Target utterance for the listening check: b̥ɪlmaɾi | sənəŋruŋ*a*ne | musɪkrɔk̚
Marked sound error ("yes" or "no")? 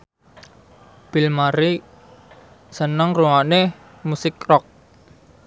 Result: no